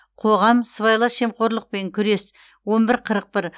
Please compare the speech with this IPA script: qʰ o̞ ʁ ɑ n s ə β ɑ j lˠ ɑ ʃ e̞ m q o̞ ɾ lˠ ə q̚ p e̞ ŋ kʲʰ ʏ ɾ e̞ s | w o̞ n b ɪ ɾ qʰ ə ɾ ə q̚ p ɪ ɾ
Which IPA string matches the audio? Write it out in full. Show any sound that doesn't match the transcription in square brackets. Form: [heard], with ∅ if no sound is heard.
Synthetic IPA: qʰ o̞ ʁ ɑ [m] s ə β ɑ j lˠ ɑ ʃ e̞ m q o̞ ɾ lˠ ə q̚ p e̞ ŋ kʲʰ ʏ ɾ e̞ s | w o̞ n b ɪ ɾ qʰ ə ɾ ə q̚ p ɪ ɾ